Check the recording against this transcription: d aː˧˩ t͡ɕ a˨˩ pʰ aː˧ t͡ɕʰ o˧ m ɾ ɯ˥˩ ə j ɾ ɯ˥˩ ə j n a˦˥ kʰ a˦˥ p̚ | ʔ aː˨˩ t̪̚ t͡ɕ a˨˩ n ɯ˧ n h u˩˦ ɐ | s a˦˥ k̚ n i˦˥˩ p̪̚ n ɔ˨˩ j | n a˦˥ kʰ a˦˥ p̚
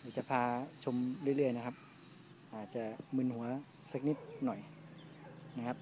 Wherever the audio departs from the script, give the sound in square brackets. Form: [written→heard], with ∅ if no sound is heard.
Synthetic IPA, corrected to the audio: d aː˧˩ t͡ɕ a˨˩ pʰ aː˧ t͡ɕʰ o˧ m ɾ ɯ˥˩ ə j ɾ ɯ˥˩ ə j n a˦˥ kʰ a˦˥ p̚ | ʔ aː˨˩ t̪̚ t͡ɕ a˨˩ [n→m] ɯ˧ n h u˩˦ ɐ | s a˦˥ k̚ n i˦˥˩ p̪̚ n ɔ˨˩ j | n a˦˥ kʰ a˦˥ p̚

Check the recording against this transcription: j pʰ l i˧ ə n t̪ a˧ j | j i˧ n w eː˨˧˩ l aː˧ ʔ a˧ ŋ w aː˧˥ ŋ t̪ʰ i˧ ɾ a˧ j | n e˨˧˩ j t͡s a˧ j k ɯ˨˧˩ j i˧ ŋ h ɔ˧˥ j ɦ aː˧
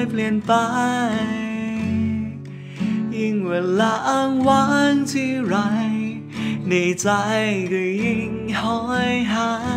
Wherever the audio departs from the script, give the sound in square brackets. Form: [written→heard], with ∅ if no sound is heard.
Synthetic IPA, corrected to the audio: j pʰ l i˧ ə n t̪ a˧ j | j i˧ [n→ŋ] w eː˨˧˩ l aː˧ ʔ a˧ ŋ w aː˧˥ ŋ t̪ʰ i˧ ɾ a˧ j | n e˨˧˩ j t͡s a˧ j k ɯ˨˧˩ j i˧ ŋ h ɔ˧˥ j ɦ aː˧

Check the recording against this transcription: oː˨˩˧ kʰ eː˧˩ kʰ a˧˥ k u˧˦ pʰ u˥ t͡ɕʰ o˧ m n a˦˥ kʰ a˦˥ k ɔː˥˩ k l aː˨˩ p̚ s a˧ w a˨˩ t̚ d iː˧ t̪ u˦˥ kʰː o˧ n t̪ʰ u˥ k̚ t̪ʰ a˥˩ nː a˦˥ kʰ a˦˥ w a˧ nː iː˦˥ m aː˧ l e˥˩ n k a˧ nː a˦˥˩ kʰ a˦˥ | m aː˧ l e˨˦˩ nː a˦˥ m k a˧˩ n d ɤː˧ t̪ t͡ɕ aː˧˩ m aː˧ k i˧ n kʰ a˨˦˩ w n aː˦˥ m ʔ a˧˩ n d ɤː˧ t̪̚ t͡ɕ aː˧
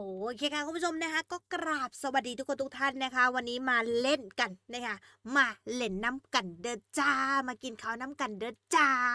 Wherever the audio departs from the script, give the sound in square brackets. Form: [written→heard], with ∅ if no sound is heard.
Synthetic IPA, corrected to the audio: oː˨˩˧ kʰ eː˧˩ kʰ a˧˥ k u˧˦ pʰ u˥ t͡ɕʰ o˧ m n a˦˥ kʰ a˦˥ k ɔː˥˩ k [l→ɾ] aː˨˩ p̚ s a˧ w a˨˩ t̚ d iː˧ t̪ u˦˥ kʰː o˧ n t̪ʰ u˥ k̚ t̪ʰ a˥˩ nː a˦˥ kʰ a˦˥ w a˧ nː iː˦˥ m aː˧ l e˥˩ n k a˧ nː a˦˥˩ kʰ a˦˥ | m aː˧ l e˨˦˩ nː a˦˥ m k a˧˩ n d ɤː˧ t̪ t͡ɕ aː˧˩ m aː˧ k i˧ n kʰ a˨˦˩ w n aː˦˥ m [ʔ→k] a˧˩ n d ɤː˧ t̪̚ t͡ɕ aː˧

